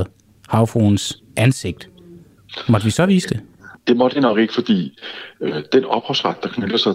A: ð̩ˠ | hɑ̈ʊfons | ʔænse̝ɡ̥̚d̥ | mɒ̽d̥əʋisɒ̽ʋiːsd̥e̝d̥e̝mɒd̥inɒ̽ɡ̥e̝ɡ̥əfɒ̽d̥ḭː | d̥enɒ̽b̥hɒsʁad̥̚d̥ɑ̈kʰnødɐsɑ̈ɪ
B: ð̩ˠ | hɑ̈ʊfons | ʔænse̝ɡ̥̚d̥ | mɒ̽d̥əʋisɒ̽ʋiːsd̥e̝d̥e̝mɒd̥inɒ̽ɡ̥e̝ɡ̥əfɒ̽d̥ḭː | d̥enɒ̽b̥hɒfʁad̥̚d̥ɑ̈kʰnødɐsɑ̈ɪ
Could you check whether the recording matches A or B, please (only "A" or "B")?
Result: A